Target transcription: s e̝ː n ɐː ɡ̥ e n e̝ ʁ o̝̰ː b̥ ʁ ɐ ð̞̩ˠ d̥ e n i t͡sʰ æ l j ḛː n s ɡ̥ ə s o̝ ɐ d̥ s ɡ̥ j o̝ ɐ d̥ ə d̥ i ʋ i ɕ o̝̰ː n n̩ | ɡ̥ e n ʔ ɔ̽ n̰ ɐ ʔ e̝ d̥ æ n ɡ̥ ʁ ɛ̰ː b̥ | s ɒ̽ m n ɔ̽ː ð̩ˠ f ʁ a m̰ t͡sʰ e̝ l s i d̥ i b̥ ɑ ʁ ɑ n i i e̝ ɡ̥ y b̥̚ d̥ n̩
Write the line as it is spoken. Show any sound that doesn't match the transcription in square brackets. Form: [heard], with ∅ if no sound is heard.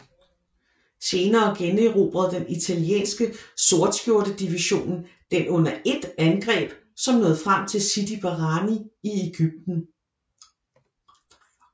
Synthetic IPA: s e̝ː n ɐː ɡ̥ e n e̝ ʁ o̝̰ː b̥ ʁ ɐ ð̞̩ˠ d̥ e n i t͡sʰ æ l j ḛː n s ɡ̥ ə s o̝ ɐ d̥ s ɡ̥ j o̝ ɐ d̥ ə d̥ i ʋ i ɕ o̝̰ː n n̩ | [d̥] e n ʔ ɔ̽ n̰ ɐ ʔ e̝ d̥ æ n ɡ̥ ʁ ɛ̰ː b̥ | s ɒ̽ m n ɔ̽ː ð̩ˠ f ʁ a m̰ t͡sʰ e̝ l s i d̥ i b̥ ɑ ʁ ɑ n i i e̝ ɡ̥ y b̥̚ d̥ n̩